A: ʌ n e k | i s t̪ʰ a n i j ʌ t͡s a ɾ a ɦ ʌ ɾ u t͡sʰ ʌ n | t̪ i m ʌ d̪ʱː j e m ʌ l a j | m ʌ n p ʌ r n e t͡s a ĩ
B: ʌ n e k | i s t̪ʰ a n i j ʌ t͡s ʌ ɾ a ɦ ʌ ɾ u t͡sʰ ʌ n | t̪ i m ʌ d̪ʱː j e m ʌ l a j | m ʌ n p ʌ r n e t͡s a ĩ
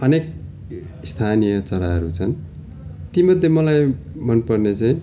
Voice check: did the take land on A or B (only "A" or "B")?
B